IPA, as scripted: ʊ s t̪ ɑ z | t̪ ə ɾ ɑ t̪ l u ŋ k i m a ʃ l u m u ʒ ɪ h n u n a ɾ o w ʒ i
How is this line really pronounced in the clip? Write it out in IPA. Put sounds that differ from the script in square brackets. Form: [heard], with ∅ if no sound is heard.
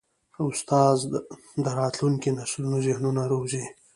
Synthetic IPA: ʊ s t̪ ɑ z | [d̪] ə ɾ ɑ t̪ l u ŋ k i [n] a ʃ l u [n] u [z] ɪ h n u n a ɾ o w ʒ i